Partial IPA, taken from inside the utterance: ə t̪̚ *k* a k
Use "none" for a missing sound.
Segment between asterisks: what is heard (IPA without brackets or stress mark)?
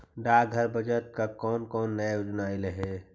k